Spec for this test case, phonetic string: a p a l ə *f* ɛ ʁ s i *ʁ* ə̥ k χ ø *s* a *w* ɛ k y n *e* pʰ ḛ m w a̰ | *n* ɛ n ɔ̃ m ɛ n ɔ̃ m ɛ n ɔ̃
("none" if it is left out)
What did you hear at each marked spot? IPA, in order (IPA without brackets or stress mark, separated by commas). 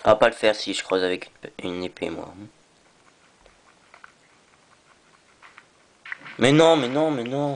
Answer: f, ʒ, z, v, e, m